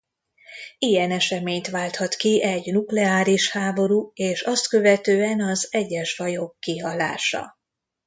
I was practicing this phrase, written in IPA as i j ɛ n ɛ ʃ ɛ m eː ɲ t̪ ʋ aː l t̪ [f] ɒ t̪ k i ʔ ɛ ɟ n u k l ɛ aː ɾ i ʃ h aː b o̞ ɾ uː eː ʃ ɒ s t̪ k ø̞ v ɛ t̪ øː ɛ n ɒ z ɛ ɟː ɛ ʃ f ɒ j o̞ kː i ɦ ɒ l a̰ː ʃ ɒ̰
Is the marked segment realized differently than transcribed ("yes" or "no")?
yes